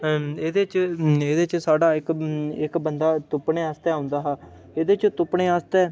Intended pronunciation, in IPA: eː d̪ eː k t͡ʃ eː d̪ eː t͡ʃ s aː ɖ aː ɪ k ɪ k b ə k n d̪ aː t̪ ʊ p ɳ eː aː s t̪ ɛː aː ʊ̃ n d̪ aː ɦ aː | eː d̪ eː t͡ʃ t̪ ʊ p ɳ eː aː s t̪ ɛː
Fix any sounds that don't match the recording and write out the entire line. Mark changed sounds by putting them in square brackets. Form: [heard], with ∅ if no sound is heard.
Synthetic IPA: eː d̪ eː [∅] t͡ʃ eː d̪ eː t͡ʃ s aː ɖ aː ɪ k ɪ k b ə [∅] n d̪ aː t̪ ʊ p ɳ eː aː s t̪ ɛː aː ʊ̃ n d̪ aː ɦ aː | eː d̪ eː t͡ʃ t̪ ʊ p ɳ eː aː s t̪ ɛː